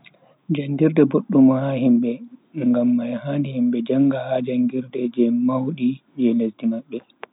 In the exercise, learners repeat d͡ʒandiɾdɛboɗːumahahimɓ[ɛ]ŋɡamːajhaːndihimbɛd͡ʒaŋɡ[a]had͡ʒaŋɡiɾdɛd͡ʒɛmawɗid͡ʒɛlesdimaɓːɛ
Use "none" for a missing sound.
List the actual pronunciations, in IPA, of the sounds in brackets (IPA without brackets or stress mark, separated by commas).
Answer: ɛ, a